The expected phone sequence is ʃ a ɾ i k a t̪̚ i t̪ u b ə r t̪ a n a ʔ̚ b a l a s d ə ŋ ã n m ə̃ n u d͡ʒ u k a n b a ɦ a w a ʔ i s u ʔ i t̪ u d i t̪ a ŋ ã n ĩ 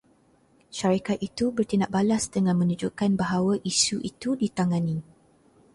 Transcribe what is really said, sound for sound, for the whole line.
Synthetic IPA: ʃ a ɾ i k a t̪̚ i t̪ u b ə r t̪ i n a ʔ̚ b a l a s d ə ŋ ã n m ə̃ n u d͡ʒ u k a n b a ɦ a w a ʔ i s u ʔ i t̪ u d i t̪ a ŋ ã n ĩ